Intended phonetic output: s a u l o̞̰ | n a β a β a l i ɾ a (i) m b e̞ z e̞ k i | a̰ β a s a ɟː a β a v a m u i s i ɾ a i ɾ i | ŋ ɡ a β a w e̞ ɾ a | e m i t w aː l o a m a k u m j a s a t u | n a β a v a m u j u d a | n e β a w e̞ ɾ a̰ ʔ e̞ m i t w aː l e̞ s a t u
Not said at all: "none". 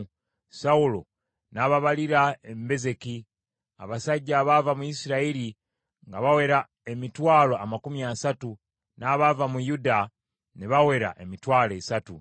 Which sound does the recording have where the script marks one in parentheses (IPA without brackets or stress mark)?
e